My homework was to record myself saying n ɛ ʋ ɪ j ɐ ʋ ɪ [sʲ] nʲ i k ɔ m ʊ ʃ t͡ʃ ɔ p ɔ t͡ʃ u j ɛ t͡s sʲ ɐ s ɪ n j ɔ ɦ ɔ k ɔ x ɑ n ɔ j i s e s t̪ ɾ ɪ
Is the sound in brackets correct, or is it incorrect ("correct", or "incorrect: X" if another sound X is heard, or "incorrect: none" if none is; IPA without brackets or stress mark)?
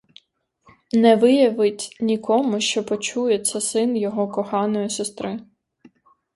incorrect: tʲ